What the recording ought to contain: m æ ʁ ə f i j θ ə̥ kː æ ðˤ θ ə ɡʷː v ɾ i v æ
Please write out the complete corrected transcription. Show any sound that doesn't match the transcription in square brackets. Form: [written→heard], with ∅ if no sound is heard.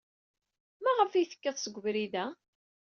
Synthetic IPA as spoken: m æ ʁ ə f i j θ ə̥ kː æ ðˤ [θ→s] ə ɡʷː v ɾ i [v→ð] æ

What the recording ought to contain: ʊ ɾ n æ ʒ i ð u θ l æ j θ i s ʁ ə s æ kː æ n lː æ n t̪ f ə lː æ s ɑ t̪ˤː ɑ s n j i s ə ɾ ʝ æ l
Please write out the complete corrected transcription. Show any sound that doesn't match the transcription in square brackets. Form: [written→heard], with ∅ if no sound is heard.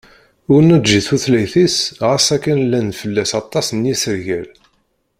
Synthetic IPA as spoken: ʊ ɾ n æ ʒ i [ð→θ] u θ l æ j θ i s ʁ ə s æ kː æ n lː æ n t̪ f ə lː æ s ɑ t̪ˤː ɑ s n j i s ə ɾ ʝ æ l

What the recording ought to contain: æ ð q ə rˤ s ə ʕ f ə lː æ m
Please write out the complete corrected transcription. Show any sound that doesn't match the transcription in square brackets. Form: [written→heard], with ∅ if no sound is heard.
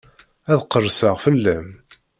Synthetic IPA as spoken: æ ð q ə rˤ s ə [ʕ→ʁ] f ə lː æ m

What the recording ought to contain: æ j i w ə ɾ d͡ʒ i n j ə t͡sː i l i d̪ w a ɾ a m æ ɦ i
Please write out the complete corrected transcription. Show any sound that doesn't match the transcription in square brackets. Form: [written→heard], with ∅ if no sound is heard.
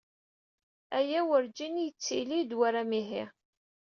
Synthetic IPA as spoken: æ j [i→æ] w ə ɾ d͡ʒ i n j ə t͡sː i l i d̪ w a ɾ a m [æ→i] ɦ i

